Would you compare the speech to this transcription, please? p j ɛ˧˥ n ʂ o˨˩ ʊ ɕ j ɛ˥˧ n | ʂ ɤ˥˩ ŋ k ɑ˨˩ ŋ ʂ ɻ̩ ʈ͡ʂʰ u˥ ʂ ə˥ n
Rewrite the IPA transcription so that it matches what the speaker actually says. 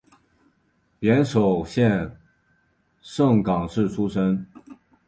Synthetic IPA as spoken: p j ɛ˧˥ n ʂ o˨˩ ʊ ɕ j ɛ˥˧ n | ʂ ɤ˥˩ ŋ k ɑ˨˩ ŋ ʂ ɻ̩ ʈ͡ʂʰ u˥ ʂ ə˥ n